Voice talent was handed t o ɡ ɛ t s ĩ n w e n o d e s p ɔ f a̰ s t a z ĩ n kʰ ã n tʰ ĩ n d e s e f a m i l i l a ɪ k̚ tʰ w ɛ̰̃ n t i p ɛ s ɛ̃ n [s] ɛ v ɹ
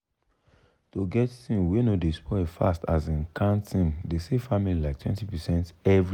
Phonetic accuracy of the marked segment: incorrect: t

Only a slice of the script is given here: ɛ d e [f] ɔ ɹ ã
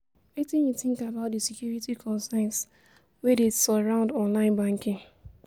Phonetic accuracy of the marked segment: incorrect: s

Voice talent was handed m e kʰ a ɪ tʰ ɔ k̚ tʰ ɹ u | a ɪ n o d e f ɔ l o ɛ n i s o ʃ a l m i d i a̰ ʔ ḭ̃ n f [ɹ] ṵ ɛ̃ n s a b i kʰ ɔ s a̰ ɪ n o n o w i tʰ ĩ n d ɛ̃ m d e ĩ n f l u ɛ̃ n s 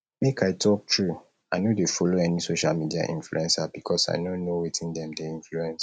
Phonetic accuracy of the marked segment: incorrect: l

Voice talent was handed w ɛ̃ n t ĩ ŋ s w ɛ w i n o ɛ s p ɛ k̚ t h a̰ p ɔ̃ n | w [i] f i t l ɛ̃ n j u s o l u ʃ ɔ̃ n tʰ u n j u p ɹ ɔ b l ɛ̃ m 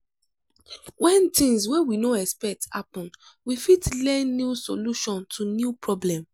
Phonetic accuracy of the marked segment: correct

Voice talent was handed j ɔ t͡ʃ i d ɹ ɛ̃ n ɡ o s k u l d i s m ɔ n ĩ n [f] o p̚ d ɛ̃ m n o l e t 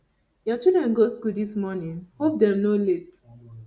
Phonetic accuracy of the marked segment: incorrect: h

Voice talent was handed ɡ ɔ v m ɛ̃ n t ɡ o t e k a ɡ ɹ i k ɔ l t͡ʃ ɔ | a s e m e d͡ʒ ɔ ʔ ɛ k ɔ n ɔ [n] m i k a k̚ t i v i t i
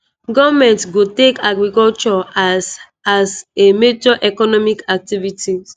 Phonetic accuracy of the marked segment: incorrect: none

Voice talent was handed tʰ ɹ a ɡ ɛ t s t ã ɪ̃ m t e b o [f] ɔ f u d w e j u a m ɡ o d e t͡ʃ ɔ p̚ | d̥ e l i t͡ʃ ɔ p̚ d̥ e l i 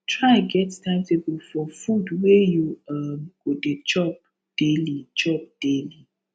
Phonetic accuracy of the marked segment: correct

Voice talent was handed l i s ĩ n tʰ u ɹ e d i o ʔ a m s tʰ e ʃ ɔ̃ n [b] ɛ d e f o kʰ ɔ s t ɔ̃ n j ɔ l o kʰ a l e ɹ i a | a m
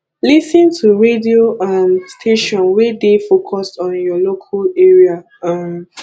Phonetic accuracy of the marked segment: incorrect: w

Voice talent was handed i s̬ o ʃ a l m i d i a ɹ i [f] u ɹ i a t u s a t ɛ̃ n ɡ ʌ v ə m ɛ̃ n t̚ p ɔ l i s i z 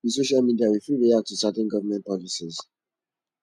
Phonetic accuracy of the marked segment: correct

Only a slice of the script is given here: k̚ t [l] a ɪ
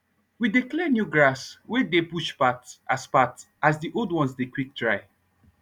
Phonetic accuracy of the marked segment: incorrect: ɹ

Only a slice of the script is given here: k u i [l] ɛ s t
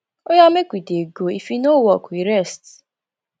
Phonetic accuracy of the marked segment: incorrect: ɾ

